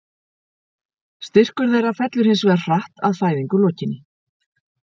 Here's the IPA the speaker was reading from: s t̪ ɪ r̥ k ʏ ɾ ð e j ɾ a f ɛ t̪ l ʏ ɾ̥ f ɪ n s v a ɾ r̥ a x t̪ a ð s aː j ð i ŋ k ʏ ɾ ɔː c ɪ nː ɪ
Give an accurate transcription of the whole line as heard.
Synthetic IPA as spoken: s t̪ ɪ r̥ k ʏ ɾ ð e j ɾ a f ɛ t̪ l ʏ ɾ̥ h ɪ n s v ɛ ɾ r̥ a h t̪ a ð f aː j ð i ŋ k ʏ l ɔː c ɪ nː ɪ

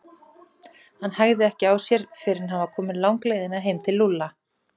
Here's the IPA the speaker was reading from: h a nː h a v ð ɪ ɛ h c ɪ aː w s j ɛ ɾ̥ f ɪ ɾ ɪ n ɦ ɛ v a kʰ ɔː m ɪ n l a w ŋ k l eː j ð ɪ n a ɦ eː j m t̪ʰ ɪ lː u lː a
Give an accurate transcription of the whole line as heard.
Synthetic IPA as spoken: h a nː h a ɣ ð ɪ ɛ h c ɪ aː w s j ɛ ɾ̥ f ɪ ɾ ɪ n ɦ a v a kʰ ɔː m ɪ n l a w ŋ k l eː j ð ɪ n a ɦ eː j m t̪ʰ ɪ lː u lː a

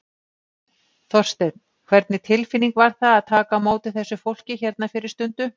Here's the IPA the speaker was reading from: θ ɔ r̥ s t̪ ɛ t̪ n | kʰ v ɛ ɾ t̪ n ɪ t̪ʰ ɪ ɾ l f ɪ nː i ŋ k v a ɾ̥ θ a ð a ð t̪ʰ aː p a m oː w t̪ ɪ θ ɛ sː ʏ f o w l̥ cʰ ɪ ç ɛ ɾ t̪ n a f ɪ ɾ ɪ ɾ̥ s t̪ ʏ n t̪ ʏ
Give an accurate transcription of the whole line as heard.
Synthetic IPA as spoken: θ ɔ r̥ s t̪ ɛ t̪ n | kʰ v ɛ ɾ t̪ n ɪ t̪ʰ ɪ l f ɪ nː i ŋ k v a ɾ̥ θ a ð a ð t̪ʰ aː k a m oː w t̪ ɪ θ ɛ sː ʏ f o w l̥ c ɪ ç ɛ ɾ t̪ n a f ɪ ɾ ɪ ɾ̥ s t̪ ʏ n t̪ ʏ

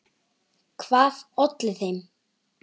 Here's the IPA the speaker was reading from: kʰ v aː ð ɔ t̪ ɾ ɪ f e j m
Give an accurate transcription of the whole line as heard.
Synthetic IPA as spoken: kʰ v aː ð ɔ t̪ l ɪ θ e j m

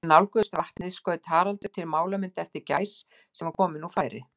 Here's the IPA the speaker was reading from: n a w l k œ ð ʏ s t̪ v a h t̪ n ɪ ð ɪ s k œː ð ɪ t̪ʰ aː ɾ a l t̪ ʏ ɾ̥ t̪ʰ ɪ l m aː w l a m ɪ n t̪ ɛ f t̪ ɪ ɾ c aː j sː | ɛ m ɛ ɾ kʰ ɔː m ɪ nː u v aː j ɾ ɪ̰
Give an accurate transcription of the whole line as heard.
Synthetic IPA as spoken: n a w l k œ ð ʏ s t̪ v a h t̪ n ɪ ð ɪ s k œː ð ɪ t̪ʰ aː ɾ a l t̪ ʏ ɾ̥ t̪ʰ ɪ l m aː w l a m ɪ n t̪ ɛ f t̪ ɪ ɾ c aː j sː | ɛ m a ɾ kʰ ɔː m ɪ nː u f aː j ɾ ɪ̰

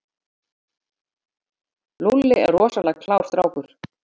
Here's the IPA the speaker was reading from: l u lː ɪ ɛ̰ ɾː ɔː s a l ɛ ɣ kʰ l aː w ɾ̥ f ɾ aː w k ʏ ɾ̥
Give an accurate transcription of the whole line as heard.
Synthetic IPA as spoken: l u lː ɪ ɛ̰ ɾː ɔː s a l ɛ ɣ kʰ l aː w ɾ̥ θ ɾ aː w k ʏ ɾ̥

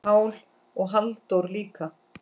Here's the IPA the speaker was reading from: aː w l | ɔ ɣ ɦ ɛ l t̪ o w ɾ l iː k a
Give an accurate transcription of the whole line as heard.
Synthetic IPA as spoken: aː w l | ɔ ɣ ɦ a l t̪ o w ɾ l iː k a

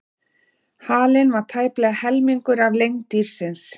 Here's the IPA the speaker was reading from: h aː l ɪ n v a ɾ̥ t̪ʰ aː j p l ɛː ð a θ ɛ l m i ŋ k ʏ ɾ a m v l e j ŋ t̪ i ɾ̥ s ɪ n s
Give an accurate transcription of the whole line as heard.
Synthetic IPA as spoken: h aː l ɪ n v a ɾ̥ t̪ʰ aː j p l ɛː ɣ a h ɛ l m i ŋ k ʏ ɾ a v l e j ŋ t̪ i ɾ̥ s ɪ n s

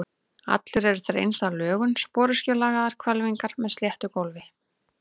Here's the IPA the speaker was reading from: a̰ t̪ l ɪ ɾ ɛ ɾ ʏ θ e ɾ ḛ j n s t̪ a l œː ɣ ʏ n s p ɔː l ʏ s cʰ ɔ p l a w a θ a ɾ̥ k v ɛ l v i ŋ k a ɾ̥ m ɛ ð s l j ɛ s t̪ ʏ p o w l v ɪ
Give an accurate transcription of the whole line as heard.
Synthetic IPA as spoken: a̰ t̪ l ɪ ɾ ɛ ɾ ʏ θ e ɾ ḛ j n s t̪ a l œː ɣ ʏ n s p ɔː ɾ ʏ s c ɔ l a ɣ a ð a ɾ̥ kʰ v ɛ l v i ŋ k a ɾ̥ m ɛ ð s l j ɛ h t̪ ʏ k o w l v ɪ

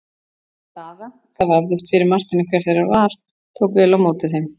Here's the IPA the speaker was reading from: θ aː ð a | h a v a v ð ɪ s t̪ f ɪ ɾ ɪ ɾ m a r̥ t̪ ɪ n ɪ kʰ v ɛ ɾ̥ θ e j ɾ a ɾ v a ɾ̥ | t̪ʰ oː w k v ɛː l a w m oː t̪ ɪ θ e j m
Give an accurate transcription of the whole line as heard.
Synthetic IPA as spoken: θ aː ð a | θ a v a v ð ɪ s t̪ f ɪ ɾ ɪ ɾ m a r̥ t̪ ɪ n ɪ kʰ v ɛ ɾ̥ θ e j ɾ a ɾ v a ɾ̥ | t̪ʰ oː w k v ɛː l a w m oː t̪ ɪ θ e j m

